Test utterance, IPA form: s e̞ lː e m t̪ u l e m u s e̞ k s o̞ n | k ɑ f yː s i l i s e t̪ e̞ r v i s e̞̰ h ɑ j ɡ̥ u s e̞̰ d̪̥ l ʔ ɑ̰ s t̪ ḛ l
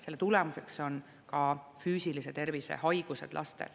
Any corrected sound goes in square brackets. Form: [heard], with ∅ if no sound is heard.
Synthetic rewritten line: s e̞ lː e [∅] t̪ u l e m u s e̞ k s o̞ n | k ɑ f yː s i l i s e t̪ e̞ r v i s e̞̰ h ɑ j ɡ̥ u s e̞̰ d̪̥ l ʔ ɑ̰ s t̪ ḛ l